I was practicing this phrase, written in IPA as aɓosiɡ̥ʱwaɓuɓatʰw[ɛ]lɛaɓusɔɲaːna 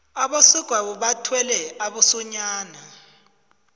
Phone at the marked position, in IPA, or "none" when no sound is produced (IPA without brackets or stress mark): ɛ